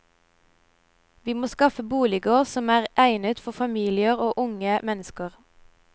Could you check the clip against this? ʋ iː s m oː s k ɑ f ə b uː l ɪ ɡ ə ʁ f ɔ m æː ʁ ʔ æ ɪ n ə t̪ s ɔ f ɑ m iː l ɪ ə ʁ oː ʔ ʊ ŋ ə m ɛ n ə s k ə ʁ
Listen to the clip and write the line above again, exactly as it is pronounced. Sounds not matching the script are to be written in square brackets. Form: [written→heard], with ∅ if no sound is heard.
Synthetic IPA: ʋ iː [s→∅] m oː s k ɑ f ə b uː l ɪ ɡ ə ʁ [f→s] ɔ m æː ʁ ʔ æ ɪ n ə t̪ [s→f] ɔ f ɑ m iː l ɪ ə ʁ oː ʔ ʊ ŋ ə m ɛ n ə s k ə ʁ

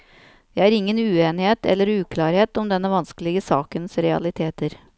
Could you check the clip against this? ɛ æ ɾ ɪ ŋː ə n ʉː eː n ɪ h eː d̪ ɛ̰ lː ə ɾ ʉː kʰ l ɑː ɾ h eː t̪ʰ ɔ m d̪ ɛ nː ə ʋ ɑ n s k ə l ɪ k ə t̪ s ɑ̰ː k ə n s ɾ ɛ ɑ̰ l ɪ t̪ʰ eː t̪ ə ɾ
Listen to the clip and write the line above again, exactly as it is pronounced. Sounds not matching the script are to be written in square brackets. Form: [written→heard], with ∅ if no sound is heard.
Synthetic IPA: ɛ æ ɾ ɪ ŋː ə n ʉː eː n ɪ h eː [d̪→t̪] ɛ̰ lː ə ɾ ʉː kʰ l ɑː ɾ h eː [t̪ʰ→t̪] ɔ m d̪ ɛ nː ə ʋ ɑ n s k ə l ɪ [k→ɡ] ə [t̪→∅] s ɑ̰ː k ə n s ɾ ɛ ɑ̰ l ɪ t̪ʰ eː t̪ ə ɾ

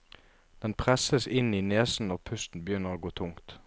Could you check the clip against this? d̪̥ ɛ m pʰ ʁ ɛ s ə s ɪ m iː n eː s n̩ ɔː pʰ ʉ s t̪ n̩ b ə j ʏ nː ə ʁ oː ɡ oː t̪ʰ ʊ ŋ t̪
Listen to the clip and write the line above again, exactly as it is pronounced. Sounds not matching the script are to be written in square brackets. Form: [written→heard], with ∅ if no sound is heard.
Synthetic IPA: d̪̥ ɛ [m→n] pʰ ʁ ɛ s ə s ɪ [m→n] iː n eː s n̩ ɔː pʰ ʉ s t̪ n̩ b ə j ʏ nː ə ʁ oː ɡ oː t̪ʰ ʊ ŋ t̪

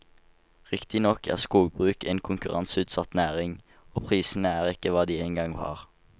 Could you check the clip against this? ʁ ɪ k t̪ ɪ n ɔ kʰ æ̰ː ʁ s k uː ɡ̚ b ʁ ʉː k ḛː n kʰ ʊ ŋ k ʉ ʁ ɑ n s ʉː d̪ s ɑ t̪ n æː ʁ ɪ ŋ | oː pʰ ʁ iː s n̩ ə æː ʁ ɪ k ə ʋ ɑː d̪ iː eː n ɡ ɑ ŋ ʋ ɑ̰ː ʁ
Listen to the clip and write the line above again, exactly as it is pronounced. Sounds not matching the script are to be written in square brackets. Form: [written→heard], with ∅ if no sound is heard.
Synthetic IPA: ʁ ɪ k t̪ ɪ n ɔ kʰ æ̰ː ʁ s k uː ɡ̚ b ʁ ʉː k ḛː n kʰ ʊ ŋ k ʉ ʁ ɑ n s ʉː [d̪→t̪] s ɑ t̪ n æː ʁ ɪ ŋ | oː pʰ ʁ iː s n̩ ə æː ʁ ɪ k ə ʋ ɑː d̪ iː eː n ɡ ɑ ŋ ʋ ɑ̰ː ʁ

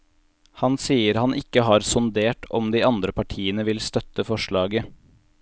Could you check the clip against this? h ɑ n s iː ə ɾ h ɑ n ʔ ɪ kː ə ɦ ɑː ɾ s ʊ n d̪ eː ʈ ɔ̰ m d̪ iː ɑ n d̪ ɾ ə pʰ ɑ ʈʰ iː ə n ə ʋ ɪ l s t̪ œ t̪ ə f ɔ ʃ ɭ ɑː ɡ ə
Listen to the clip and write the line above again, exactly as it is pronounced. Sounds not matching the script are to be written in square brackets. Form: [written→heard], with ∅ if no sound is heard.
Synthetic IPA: h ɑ n s iː ə ɾ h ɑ n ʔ ɪ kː ə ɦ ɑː ɾ s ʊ n d̪ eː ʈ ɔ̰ m d̪ iː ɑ n d̪ ɾ ə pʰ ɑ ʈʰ iː ə n ə ʋ ɪ l s t̪ œ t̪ ə f ɔ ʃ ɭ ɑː ɡ ə

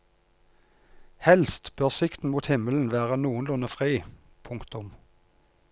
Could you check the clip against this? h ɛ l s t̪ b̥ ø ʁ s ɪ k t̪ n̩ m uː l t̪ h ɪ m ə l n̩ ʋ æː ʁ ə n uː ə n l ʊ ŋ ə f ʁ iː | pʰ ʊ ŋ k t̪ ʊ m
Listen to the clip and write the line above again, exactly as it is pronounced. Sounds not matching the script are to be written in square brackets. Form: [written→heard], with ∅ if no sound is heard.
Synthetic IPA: h ɛ l s t̪ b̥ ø ʁ s ɪ k t̪ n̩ m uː [l→∅] t̪ h ɪ m ə l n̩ ʋ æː ʁ ə n uː ə n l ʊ [ŋ→n] ə f ʁ iː | pʰ ʊ ŋ k t̪ ʊ m

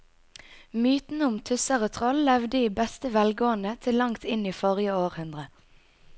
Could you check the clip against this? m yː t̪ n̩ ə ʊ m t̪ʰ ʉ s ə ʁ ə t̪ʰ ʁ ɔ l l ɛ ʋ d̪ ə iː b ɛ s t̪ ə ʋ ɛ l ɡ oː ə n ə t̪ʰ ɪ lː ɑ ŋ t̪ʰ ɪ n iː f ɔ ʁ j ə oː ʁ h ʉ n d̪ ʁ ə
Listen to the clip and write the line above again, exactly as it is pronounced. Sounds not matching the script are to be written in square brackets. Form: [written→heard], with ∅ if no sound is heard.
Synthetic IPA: m yː t̪ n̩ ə ʊ m t̪ʰ ʉ s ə ʁ ə t̪ʰ ʁ ɔ l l ɛ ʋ d̪ ə iː b ɛ s t̪ ə ʋ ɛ l ɡ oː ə n ə t̪ʰ ɪ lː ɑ ŋ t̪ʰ ɪ n iː f ɔ ʁ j ə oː ʁ h ʉ n d̪ ʁ ə

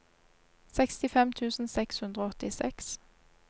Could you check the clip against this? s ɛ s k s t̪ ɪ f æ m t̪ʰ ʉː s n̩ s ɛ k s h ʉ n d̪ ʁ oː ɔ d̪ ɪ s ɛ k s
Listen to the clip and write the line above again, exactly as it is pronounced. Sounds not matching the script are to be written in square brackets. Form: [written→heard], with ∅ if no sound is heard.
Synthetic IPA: s ɛ [s→∅] k s t̪ ɪ f [æ→ɛ] m t̪ʰ ʉː s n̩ s ɛ k s h ʉ n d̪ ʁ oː ɔ [d̪→t̪] ɪ s ɛ k s

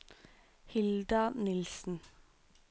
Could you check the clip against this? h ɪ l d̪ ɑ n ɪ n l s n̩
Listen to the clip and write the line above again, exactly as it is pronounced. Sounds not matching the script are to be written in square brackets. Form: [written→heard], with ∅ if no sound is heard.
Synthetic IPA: h ɪ l d̪ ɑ n ɪ [n→∅] l s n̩

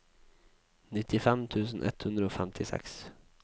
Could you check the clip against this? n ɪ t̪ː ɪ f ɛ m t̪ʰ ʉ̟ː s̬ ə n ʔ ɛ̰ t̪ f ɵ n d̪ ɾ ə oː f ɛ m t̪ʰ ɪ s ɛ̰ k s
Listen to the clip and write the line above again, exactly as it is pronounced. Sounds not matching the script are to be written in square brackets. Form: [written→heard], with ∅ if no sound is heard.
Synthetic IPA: n ɪ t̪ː ɪ f ɛ m t̪ʰ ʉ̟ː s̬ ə n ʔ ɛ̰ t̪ [f→h] ɵ n d̪ ɾ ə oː f ɛ m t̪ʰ ɪ s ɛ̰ k s

